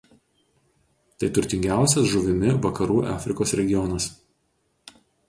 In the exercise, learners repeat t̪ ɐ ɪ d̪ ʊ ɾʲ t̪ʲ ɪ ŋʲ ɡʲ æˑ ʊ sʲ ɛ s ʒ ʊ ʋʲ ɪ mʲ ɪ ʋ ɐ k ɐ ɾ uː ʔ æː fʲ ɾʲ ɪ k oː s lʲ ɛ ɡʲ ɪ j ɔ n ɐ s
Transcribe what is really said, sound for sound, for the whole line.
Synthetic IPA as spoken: t̪ ɐ ɪ t̪ ʊ ɾʲ t̪ʲ ɪ ŋʲ ɡʲ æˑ ʊ sʲ ɛ s ʒ ʊ ʋʲ ɪ mʲ ɪ ʋ ɐ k ɐ ɾ uː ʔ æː fʲ ɾʲ ɪ k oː s ɾʲ ɛ ɡʲ ɪ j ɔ n ɐ s